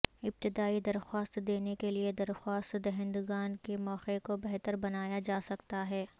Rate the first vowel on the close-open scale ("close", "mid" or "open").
close